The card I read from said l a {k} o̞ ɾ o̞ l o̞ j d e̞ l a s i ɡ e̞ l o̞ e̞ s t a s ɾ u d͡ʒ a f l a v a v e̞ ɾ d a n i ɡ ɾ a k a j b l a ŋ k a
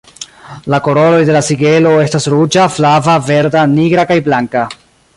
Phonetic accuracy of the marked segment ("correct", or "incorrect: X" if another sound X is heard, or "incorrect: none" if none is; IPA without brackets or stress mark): correct